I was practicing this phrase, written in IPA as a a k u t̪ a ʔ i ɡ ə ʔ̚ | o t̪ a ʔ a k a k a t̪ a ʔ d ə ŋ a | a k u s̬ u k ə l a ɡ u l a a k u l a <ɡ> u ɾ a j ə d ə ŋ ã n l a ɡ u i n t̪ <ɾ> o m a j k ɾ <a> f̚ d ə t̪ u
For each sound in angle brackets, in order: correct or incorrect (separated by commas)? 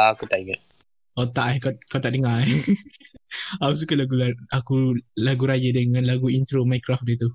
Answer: correct, correct, correct